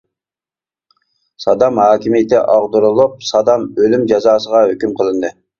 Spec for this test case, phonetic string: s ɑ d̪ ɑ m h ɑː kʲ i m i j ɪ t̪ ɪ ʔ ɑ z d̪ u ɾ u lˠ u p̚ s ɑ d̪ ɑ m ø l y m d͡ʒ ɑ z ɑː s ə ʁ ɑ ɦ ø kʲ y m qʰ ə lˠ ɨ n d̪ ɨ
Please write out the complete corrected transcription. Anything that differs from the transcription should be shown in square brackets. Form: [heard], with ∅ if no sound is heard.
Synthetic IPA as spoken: s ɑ d̪ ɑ m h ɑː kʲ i m i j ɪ t̪ ɪ ʔ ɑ [ʁ] d̪ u ɾ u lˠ u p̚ s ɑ d̪ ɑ m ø l y m d͡ʒ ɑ z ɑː s ə ʁ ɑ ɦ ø kʲ y m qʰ ə lˠ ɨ n d̪ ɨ